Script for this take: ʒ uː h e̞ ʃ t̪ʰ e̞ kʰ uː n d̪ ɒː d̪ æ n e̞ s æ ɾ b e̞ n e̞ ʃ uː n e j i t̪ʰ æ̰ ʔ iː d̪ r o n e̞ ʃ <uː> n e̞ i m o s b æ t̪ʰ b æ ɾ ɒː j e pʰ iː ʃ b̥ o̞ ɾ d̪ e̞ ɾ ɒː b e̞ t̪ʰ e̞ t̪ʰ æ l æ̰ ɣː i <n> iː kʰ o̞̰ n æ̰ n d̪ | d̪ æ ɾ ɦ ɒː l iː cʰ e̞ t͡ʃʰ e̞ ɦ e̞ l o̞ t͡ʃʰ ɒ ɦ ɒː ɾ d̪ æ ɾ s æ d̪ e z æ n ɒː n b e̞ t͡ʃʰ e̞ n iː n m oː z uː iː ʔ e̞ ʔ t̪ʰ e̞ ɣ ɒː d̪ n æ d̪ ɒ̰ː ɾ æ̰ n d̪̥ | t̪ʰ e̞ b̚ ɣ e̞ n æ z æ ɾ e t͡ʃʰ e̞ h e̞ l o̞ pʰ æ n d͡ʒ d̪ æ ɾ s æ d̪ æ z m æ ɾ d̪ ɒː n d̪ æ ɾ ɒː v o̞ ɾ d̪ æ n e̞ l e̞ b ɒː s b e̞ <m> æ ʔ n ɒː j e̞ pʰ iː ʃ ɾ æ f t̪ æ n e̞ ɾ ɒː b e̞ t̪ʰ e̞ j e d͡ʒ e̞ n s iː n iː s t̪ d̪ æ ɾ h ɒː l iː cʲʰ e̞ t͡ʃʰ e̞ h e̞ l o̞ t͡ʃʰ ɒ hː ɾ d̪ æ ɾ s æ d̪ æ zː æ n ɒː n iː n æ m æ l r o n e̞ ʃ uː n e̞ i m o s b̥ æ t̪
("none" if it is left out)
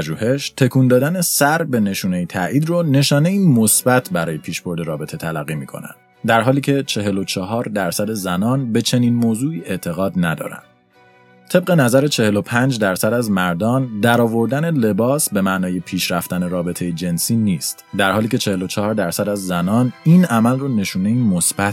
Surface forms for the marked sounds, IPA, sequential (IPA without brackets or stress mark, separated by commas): ɒː, m, m